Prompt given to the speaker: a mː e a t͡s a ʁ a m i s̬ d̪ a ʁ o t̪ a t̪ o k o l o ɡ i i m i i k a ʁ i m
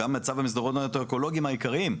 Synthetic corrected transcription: a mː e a t͡s a v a m i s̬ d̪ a ʁ o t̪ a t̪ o k o l o ɡ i i m a i k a ʁ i m